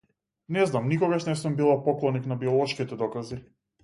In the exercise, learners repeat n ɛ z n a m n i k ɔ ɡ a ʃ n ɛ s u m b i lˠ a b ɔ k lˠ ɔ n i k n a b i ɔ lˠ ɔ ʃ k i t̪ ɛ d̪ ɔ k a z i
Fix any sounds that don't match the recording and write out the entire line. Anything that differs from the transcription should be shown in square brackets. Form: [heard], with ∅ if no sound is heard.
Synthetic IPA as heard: n ɛ z n a m n i k ɔ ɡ a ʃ n ɛ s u m b i lˠ a [p] ɔ k lˠ ɔ n i k n a b i ɔ lˠ ɔ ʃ k i t̪ ɛ d̪ ɔ k a z i

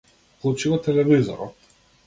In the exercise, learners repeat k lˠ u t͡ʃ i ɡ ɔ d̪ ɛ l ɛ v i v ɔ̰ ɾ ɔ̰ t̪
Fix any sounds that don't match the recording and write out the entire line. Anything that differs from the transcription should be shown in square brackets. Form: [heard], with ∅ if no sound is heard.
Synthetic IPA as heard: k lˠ u t͡ʃ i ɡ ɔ [t̪] ɛ l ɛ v i [z] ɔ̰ ɾ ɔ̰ t̪

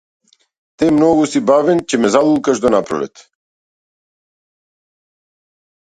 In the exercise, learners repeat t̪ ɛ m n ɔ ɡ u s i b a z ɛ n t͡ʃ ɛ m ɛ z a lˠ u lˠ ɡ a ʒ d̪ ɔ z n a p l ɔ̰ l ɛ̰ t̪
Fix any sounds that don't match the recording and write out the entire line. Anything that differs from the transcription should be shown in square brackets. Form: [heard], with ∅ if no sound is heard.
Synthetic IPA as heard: t̪ ɛ m n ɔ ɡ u s i b a [v] ɛ n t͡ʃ ɛ m ɛ z a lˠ u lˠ [k] a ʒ d̪ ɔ [∅] n a p [ɾ] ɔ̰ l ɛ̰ t̪

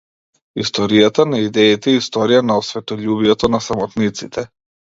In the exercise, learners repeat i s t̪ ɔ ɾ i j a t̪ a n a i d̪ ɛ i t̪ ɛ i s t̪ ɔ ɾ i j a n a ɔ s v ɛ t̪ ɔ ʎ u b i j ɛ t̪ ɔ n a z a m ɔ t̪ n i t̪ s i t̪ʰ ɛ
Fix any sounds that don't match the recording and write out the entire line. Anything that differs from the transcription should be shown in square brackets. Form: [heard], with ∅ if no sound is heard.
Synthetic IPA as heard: i s t̪ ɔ ɾ i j a t̪ a n a i d̪ ɛ i t̪ ɛ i s t̪ ɔ ɾ i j a n a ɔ s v ɛ t̪ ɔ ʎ u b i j ɛ t̪ ɔ n a [s] a m ɔ t̪ n i t̪ s i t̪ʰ ɛ

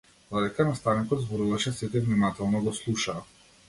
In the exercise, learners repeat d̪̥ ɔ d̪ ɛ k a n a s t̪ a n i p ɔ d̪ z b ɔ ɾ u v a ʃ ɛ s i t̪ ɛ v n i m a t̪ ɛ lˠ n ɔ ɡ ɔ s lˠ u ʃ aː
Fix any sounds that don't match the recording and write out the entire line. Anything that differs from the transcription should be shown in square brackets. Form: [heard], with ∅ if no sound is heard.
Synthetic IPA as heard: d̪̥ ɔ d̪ ɛ k a n a s t̪ a n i [k] ɔ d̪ z b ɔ ɾ u v a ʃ ɛ s i t̪ ɛ v n i m a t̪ ɛ lˠ n ɔ ɡ ɔ s lˠ u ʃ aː

